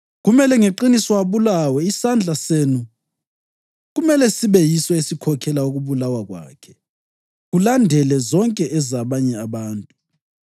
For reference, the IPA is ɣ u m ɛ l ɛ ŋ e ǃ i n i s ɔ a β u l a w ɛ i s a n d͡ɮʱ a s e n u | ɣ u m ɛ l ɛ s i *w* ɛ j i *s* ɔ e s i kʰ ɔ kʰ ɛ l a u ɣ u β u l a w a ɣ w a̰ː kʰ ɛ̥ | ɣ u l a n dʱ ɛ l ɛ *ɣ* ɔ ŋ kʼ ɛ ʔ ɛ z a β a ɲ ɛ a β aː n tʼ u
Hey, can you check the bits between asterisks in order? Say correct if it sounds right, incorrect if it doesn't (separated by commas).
incorrect, correct, incorrect